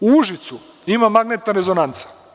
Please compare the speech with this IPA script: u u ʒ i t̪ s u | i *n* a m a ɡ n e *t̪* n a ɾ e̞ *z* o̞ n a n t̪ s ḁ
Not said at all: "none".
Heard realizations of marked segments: m, t̪, z

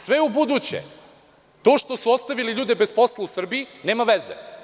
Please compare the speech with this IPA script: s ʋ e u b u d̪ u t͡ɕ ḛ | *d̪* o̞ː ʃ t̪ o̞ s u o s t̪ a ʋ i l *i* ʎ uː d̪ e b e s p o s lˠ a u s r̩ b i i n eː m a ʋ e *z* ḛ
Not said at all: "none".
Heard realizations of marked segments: t̪, i, z

